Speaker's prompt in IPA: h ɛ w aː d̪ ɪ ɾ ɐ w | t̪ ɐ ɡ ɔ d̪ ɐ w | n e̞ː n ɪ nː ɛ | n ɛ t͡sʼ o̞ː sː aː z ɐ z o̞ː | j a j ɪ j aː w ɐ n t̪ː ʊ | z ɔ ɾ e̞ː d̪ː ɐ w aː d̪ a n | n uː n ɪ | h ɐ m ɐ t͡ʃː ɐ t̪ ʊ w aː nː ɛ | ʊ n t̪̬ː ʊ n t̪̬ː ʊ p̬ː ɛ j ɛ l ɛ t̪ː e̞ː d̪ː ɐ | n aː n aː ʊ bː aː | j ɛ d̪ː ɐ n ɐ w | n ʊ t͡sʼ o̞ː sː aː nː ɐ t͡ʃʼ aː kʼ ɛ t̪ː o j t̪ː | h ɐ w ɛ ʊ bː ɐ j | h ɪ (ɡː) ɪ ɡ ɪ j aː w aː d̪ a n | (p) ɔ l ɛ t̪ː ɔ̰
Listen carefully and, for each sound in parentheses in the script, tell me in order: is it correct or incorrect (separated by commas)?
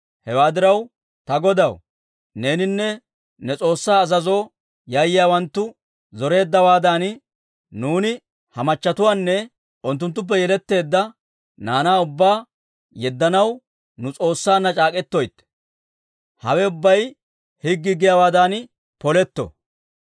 correct, correct